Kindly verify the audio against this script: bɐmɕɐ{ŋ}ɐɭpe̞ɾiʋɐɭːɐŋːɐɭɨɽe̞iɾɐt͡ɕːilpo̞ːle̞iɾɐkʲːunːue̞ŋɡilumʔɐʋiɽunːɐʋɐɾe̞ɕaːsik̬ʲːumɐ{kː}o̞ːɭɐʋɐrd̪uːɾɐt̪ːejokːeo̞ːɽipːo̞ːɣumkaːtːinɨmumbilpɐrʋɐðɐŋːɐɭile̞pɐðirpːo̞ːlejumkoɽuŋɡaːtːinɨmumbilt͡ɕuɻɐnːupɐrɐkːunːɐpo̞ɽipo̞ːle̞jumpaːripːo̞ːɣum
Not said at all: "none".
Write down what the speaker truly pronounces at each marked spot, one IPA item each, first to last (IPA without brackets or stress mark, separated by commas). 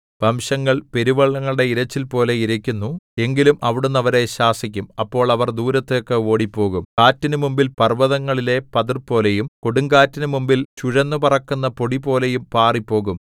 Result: ŋː, pː